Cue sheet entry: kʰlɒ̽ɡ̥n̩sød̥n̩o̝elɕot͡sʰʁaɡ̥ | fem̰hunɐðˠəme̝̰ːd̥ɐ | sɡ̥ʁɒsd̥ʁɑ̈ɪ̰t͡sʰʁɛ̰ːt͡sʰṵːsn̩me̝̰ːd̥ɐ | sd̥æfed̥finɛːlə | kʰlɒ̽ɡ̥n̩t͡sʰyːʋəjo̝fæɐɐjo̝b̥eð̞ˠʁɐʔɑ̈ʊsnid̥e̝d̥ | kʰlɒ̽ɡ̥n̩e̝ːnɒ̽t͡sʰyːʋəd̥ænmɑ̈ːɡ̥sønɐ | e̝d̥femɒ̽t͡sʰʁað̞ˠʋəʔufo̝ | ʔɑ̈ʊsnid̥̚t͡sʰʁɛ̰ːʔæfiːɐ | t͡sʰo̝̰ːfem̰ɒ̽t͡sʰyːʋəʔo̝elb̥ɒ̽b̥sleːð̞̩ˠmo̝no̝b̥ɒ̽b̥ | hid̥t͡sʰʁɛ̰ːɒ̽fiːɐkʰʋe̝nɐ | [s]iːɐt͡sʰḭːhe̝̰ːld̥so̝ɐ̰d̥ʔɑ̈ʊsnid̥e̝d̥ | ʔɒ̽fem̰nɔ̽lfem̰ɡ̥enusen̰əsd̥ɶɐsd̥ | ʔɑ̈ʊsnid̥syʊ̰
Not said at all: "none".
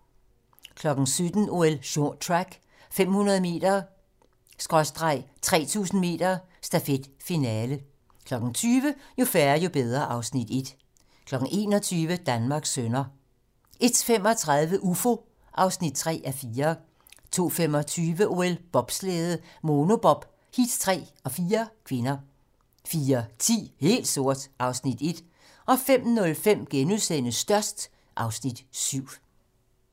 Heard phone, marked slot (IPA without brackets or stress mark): f